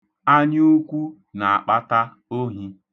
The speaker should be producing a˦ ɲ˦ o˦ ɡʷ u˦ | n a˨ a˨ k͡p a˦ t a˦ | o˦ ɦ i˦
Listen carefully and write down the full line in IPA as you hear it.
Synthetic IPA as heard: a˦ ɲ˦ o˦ kʷ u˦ | n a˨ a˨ k͡p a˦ t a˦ | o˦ ɦ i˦